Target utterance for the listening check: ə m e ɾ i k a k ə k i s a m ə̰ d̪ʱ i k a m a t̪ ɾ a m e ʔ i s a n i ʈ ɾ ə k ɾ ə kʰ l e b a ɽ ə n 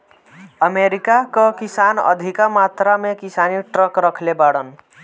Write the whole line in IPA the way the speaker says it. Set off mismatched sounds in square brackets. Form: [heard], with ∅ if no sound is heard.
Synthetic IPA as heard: ə m e ɾ i k a k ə k i s a [n] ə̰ d̪ʱ i k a m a t̪ ɾ a m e [k] i s a n i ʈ ɾ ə k ɾ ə kʰ l e b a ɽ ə n